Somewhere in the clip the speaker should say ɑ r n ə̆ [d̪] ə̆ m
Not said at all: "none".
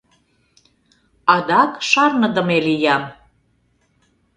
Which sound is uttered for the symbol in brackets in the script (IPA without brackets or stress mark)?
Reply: d̪